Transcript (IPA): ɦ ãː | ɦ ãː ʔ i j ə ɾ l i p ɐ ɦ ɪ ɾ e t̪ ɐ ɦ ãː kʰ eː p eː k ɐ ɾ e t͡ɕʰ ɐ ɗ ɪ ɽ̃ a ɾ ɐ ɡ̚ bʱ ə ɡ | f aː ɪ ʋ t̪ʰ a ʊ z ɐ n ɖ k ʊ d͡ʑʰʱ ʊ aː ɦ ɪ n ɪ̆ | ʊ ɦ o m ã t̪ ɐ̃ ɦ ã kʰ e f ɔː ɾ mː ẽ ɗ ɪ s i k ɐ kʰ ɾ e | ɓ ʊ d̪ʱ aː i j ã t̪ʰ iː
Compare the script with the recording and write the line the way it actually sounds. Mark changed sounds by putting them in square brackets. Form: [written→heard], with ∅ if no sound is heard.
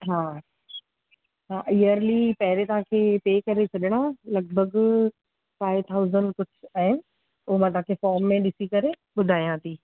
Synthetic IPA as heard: ɦ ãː | ɦ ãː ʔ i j ə ɾ l i p ɐ ɦ ɪ ɾ e t̪ ɐ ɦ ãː kʰ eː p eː k ɐ ɾ e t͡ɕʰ ɐ ɗ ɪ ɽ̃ a [ɾ→l] ɐ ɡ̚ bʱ ə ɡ | f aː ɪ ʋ t̪ʰ a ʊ z [ɐ→ə] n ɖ k ʊ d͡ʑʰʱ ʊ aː ɦ ɪ n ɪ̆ | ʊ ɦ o m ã t̪ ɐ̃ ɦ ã kʰ e f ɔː ɾ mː ẽ ɗ ɪ s i k ɐ [kʰ→∅] ɾ e | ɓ ʊ d̪ʱ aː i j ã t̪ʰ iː

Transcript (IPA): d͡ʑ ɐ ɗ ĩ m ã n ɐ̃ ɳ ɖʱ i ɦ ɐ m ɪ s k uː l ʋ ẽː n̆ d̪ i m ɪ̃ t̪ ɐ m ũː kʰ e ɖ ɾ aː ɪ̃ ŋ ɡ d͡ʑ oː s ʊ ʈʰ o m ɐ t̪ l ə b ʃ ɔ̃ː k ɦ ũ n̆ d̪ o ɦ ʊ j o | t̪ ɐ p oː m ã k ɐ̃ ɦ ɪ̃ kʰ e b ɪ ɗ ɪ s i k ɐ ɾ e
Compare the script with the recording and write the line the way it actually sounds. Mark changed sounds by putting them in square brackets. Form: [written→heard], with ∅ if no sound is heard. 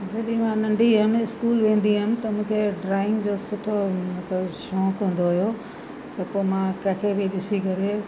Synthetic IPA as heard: d͡ʑ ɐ ɗ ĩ m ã n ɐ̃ ɳ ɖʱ i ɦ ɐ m ɪ s k uː l ʋ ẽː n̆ d̪ i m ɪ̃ t̪ ɐ m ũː kʰ e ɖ ɾ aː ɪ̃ ŋ ɡ d͡ʑ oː s ʊ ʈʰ o m ɐ t̪ l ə b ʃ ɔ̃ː k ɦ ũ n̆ d̪ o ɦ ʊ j o | t̪ ɐ p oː m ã k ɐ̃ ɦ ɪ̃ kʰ e b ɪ ɗ ɪ s i k ɐ ɾ e

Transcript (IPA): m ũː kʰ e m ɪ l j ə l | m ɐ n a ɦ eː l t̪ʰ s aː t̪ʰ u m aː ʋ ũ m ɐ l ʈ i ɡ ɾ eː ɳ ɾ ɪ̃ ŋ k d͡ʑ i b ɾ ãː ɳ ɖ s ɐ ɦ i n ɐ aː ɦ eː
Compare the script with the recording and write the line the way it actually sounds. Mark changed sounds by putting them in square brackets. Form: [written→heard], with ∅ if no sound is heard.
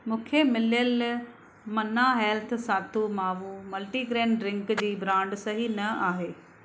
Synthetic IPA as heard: m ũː kʰ e m ɪ l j ə l | m ɐ n a ɦ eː l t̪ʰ s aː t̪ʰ u m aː ʋ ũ m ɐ l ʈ i ɡ ɾ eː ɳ ɾ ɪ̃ ŋ k d͡ʑ [i→iː] b ɾ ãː ɳ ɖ s ɐ ɦ i n ɐ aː ɦ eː

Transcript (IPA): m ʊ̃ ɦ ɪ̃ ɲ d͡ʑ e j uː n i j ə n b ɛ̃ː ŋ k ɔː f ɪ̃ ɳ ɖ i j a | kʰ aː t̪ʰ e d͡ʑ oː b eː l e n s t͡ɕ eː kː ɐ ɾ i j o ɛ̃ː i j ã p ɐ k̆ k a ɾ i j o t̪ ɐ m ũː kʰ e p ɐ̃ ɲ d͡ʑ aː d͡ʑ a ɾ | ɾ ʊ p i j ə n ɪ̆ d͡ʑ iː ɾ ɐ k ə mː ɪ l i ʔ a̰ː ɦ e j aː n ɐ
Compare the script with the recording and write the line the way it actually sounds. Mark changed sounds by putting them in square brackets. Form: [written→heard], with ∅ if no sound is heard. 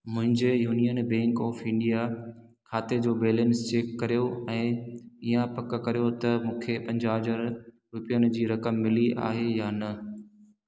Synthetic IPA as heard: m ʊ̃ ɦ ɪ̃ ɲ d͡ʑ e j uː n i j ə n b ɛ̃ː ŋ k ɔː f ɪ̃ ɳ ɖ i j a | kʰ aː [t̪ʰ→t̪] e d͡ʑ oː b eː l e n s t͡ɕ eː kː ɐ ɾ i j o ɛ̃ː i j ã p ɐ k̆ k [a→ɐ] ɾ i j o t̪ ɐ m ũː kʰ e p ɐ̃ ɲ d͡ʑ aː d͡ʑ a ɾ | ɾ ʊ p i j ə n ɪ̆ d͡ʑ iː ɾ ɐ k ə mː ɪ l i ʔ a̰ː ɦ e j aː n ɐ

